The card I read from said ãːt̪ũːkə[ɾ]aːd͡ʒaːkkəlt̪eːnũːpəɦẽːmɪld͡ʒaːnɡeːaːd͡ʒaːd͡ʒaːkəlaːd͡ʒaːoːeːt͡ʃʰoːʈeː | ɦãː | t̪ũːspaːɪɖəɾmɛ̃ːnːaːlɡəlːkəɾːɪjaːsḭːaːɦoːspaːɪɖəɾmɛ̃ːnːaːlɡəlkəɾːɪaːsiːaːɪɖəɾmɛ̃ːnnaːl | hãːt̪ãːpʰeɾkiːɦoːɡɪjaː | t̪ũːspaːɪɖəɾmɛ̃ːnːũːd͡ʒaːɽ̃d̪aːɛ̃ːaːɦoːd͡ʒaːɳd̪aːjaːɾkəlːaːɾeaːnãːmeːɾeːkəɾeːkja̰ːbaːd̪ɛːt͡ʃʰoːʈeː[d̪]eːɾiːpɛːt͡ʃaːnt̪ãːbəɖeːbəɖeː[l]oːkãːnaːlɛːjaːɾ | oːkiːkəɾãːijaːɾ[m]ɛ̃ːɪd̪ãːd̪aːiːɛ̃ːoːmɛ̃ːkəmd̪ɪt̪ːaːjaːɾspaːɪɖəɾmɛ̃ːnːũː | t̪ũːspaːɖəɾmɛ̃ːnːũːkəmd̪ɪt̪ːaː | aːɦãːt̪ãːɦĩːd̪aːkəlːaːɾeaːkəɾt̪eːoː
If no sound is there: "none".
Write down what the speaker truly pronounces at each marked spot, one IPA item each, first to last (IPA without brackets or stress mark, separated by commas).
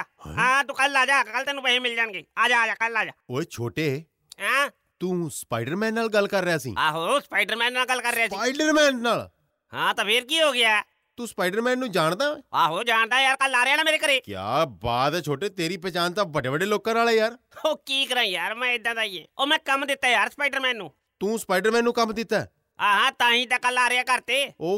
l, t̪, l, m